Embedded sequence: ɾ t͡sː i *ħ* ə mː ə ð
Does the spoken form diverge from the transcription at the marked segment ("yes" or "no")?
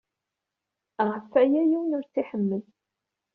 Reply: no